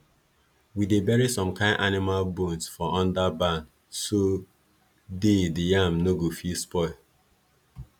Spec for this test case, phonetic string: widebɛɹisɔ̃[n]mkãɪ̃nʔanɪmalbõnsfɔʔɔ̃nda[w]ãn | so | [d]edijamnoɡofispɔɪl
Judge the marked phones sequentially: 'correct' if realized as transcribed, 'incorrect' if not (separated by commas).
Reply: incorrect, incorrect, correct